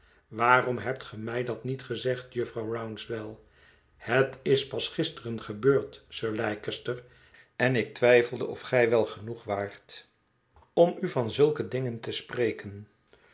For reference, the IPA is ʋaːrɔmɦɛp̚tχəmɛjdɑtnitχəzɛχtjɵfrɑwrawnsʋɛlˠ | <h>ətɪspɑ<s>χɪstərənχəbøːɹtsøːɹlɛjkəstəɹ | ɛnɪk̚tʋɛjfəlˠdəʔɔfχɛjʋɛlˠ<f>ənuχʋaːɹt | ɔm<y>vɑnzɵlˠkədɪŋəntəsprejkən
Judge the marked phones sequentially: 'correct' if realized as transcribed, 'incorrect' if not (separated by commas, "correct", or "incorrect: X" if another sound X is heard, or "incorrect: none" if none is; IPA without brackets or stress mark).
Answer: correct, correct, incorrect: χ, correct